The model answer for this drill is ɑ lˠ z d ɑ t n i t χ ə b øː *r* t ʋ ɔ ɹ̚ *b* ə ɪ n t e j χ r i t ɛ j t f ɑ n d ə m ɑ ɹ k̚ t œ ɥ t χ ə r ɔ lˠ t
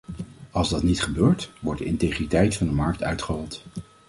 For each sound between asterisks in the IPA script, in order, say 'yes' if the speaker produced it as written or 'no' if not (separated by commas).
no, no